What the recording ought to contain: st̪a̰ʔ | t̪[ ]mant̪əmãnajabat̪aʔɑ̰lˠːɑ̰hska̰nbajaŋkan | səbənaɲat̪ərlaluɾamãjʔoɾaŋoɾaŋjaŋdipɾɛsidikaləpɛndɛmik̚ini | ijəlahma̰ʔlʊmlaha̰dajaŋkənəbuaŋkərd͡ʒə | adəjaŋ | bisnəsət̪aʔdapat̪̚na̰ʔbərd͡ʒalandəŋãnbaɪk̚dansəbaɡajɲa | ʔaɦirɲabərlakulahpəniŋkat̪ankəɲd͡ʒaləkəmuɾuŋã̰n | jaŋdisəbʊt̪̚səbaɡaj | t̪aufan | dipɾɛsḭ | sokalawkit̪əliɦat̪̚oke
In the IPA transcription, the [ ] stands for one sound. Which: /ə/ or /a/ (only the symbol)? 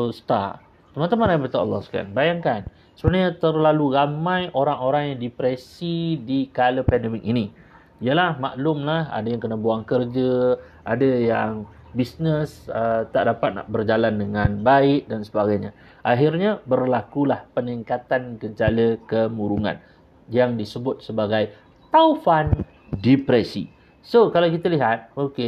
ə